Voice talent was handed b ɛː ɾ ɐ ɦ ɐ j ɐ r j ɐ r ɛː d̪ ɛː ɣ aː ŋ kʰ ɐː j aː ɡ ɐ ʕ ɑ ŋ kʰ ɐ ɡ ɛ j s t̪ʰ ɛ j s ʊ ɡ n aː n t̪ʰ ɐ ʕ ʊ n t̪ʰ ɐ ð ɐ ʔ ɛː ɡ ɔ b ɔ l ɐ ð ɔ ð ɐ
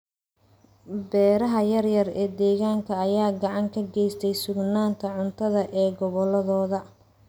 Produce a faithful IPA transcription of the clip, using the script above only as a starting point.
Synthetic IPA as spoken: b ɛː ɾ ɐ ɦ ɐ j ɐ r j ɐ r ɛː d̪ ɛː ɣ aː ŋ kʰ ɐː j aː ɡ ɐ ʕ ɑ ŋ kʰ ɐ ɡ ɛ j s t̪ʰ ɛ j s ʊ ɡ n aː n t̪ʰ ɐ ʕ ʊ n t̪ʰ ɐ ð ɐ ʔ ɛː ɡ ɔ β ɔ l ɐ ð ɔː ð ɐ